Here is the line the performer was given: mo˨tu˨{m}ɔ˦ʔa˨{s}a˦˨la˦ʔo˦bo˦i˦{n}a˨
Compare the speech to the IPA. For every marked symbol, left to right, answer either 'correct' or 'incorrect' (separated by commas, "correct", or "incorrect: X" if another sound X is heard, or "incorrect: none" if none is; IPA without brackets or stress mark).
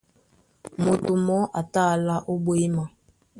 correct, incorrect: t, incorrect: m